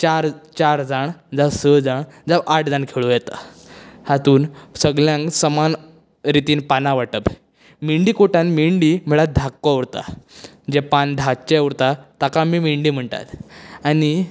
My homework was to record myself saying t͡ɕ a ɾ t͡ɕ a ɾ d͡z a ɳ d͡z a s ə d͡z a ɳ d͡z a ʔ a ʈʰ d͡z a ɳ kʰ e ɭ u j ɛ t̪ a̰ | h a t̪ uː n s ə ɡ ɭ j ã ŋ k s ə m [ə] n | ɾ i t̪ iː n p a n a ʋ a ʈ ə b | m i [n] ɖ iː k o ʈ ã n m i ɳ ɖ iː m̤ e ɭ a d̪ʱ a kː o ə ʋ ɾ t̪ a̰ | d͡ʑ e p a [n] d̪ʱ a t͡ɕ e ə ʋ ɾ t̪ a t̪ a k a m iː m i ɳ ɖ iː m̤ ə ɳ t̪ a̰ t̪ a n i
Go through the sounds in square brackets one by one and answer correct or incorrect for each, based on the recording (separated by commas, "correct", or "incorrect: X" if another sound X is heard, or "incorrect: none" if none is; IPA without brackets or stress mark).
incorrect: a, incorrect: ɳ, correct